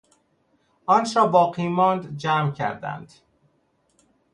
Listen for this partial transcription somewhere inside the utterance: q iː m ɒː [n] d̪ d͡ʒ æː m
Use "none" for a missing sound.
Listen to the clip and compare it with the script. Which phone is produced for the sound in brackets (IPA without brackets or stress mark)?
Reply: n